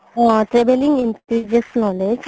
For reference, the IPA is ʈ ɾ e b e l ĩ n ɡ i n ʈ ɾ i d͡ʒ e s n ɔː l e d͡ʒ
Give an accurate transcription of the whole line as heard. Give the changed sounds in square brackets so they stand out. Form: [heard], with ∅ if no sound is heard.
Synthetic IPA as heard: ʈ ɾ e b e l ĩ [ŋ] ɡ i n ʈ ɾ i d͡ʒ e s n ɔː l e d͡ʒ